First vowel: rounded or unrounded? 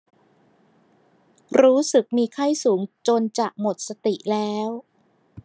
rounded